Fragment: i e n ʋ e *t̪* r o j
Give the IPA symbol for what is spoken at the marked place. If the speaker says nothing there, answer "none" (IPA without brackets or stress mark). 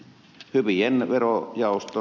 none